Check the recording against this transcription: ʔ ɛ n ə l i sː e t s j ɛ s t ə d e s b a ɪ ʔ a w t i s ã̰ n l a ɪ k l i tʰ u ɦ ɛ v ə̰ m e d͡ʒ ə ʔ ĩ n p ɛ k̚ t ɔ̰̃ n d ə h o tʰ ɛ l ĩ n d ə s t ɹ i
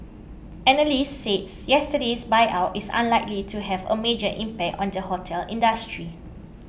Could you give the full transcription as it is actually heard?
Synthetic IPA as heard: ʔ ɛ n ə l i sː e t s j ɛ s t ə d e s b a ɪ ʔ a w t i s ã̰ n l a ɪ k l i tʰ u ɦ ɛ v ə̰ m e d͡ʒ ə ʔ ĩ m p ɛ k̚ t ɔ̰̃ n d ə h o tʰ ɛ l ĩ n d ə s t ɹ i